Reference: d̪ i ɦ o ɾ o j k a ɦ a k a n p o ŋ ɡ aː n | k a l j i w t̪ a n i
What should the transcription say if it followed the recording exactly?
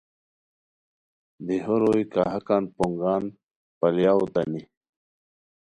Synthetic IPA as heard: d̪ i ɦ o ɾ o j k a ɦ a k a n p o ŋ ɡ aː n | p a l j a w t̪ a n i